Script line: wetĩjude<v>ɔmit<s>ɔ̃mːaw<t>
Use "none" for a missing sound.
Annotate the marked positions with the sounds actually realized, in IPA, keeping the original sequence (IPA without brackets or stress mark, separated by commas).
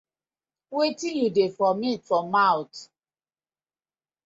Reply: f, f, t